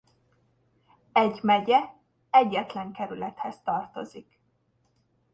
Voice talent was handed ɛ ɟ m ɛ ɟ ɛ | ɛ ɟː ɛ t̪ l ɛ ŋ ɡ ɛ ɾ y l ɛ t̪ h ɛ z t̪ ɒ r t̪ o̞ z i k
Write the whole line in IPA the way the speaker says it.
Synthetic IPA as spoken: ɛ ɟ m ɛ ɟ ɛ | ɛ ɟː ɛ t̪ l ɛ ŋ k ɛ ɾ y l ɛ t̪ h ɛ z t̪ ɒ r t̪ o̞ z i k